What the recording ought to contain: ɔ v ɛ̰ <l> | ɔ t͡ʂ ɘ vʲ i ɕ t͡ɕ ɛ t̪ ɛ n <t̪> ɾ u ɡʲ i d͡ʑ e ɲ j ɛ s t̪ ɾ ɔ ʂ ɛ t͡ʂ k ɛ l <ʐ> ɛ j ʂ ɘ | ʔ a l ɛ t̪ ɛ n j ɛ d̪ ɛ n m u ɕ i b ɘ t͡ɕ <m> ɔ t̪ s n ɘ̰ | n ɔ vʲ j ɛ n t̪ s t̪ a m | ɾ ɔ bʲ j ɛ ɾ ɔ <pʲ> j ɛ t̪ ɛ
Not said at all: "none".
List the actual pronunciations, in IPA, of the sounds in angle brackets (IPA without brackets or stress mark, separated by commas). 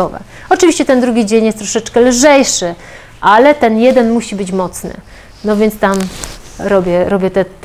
none, d̪, ʐ, m, bʲ